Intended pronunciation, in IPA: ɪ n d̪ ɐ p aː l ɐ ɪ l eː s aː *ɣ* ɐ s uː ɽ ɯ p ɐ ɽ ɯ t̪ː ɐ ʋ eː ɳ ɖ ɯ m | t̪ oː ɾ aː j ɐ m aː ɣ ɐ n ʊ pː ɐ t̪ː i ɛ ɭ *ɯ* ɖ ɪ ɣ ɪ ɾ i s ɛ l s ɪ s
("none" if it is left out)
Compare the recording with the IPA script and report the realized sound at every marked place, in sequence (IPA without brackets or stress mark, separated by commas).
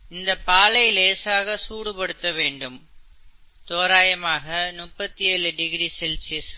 ɣ, ɯ